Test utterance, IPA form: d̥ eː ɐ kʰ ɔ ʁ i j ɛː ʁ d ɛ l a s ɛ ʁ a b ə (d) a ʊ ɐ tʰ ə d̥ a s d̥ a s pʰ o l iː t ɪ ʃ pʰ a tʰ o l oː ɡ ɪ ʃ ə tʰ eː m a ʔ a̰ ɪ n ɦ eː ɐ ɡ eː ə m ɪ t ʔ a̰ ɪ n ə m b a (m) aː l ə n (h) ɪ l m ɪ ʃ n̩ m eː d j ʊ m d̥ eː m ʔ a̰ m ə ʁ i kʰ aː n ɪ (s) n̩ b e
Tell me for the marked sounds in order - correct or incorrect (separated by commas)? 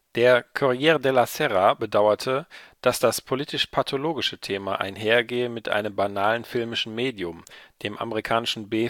correct, incorrect, incorrect, incorrect